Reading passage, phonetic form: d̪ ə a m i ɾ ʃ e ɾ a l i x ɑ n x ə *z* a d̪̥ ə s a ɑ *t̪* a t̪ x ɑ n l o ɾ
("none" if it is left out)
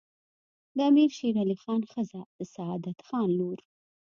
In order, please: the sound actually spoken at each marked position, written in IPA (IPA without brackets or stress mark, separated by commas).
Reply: z, d̪